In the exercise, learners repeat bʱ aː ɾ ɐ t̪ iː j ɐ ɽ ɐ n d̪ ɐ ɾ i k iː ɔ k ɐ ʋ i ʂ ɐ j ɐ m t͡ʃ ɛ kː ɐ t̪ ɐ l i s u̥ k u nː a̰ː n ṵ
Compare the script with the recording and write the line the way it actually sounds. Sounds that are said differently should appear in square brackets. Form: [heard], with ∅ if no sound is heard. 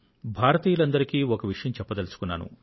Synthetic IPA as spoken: bʱ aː ɾ ɐ t̪ iː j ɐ [l] ɐ n d̪ ɐ ɾ i k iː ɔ k ɐ ʋ i ʂ ɐ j ɐ m t͡ʃ ɛ [pː] ɐ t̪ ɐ l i s u̥ k u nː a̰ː n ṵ